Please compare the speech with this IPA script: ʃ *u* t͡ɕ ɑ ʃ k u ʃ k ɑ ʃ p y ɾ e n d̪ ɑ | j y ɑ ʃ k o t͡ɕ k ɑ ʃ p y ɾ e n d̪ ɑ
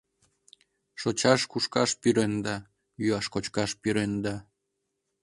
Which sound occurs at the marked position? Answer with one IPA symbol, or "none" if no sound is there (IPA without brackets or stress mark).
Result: o